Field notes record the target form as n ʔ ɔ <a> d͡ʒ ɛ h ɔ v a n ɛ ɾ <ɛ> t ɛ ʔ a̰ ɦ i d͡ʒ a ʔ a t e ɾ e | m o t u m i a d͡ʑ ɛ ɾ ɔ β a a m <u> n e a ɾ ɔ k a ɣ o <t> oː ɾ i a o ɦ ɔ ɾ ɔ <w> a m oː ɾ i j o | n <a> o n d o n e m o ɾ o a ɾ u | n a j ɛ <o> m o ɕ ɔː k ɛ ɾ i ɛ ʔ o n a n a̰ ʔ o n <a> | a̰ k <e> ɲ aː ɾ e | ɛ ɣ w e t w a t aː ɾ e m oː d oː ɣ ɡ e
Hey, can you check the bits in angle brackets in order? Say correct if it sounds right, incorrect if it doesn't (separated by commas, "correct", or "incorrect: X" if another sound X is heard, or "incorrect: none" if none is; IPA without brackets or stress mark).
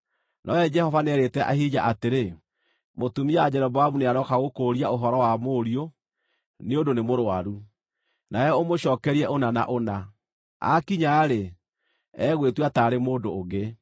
incorrect: ɛ, incorrect: e, correct, incorrect: k, correct, incorrect: e, correct, correct, incorrect: i